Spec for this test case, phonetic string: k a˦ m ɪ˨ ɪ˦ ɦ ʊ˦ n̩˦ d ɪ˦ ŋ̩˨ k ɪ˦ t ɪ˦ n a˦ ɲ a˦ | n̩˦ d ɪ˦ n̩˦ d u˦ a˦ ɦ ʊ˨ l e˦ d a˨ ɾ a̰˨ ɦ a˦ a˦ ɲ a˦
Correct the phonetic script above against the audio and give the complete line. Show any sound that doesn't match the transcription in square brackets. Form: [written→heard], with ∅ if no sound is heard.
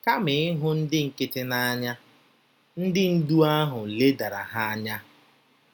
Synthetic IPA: k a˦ m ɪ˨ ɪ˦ ɦ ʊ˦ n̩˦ d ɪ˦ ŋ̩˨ k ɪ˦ t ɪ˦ n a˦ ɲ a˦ | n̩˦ d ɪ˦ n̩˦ d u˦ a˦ ɦ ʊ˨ l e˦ d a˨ ɾ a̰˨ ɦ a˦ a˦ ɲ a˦

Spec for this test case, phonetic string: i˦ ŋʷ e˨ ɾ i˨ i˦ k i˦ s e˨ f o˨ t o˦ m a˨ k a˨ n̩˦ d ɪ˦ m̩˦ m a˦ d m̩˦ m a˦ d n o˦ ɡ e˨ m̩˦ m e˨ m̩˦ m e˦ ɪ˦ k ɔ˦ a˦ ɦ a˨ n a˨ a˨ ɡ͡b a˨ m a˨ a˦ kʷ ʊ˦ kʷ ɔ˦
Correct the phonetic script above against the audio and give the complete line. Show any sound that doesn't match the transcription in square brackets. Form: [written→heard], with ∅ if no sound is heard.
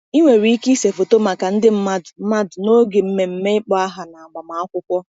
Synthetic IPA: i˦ ŋʷ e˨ ɾ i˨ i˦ k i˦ s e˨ f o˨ t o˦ m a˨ k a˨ n̩˦ d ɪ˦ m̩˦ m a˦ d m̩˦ m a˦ d n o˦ ɡ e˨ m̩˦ m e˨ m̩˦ m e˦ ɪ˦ [k→k͡p] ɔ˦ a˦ ɦ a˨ n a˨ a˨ ɡ͡b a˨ m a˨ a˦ kʷ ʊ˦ kʷ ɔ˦

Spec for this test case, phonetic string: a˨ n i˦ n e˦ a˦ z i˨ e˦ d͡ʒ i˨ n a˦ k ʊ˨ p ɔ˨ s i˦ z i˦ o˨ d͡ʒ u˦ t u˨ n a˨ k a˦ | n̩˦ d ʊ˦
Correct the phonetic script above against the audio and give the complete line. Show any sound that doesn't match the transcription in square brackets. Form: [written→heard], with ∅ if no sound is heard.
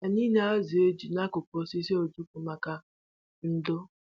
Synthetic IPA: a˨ n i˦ n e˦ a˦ z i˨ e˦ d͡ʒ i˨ n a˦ k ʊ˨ p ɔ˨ s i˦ [z→s] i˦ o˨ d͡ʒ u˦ [t→k] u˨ [n→m] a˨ k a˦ | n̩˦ d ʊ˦

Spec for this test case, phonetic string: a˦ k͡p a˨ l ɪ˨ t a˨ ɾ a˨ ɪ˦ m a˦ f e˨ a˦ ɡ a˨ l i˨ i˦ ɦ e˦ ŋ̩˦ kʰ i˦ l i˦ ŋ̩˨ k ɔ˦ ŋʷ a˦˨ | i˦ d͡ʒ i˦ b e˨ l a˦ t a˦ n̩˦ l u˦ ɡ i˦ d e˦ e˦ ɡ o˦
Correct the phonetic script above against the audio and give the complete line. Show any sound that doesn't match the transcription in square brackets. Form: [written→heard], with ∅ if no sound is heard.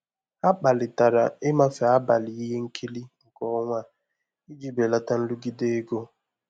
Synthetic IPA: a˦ k͡p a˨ l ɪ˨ t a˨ ɾ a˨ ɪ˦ m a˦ f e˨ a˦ [ɡ→b] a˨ l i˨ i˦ ɦ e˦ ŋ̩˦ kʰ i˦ l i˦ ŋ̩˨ k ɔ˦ ŋʷ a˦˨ | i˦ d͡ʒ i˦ b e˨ l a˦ t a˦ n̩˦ l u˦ ɡ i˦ d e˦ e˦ ɡ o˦

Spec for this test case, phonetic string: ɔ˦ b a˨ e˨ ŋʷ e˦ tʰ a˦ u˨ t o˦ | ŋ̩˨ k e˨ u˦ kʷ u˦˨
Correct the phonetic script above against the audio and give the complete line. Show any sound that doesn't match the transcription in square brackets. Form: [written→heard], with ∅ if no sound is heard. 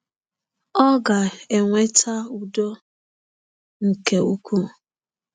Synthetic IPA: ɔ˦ [b→ɡ] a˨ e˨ ŋʷ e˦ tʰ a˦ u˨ [t→d] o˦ | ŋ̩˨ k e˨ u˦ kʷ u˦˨

